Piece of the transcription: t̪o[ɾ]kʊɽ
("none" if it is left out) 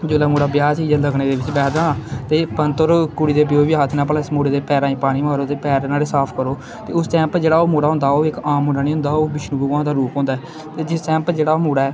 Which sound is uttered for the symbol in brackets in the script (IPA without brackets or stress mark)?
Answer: ɾ